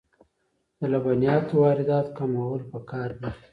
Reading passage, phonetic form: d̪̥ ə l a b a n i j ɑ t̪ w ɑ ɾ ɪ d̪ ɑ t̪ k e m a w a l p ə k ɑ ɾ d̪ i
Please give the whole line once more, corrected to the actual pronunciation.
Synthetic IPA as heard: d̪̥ ə l a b a n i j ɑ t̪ w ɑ ɾ ɪ d̪ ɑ t̪ k a m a w ə l p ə k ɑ ɾ d̪ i